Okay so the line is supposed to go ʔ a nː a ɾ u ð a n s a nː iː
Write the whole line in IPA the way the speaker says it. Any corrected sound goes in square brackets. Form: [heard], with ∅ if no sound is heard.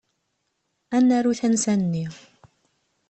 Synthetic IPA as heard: ʔ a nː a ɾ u [θ] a n s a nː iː